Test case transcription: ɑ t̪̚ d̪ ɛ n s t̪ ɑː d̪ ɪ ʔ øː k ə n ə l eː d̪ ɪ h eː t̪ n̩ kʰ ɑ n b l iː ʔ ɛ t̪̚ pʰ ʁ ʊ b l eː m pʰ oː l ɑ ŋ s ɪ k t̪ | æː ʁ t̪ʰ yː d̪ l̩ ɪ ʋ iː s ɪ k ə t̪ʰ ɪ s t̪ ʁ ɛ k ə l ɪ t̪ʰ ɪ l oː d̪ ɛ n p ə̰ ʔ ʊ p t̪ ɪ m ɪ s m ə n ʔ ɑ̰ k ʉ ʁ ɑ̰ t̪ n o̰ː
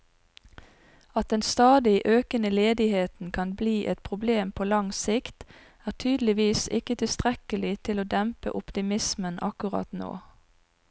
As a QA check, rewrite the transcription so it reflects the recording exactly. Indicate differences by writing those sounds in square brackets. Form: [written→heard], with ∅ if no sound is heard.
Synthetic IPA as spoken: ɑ t̪̚ d̪ ɛ n s t̪ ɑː d̪ ɪ ʔ øː k ə n ə l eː d̪ ɪ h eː t̪ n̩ kʰ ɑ n b l iː ʔ ɛ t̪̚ pʰ ʁ ʊ b l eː m pʰ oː l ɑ ŋ s ɪ k t̪ | æː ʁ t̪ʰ yː d̪ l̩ ɪ ʋ iː s ɪ k ə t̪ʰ ɪ s t̪ ʁ ɛ k ə l ɪ t̪ʰ ɪ l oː d̪ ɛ [n→m] p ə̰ ʔ ʊ p t̪ ɪ m ɪ s m ə n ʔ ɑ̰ k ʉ ʁ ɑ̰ t̪ n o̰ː